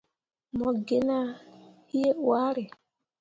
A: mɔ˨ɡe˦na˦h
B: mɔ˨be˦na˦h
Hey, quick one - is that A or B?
A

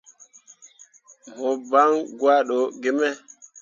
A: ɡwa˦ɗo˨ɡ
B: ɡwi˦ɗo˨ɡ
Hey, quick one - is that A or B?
A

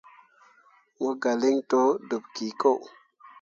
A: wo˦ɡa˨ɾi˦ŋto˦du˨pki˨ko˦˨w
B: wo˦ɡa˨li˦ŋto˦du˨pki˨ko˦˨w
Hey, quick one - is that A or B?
B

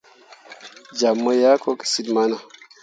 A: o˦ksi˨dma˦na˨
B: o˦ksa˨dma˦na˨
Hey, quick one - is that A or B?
A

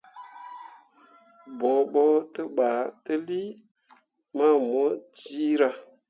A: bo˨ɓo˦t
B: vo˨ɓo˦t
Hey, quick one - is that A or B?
A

